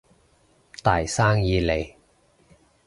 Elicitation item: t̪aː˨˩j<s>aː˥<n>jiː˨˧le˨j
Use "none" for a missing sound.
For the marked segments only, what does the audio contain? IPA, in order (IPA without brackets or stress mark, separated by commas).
s, ŋ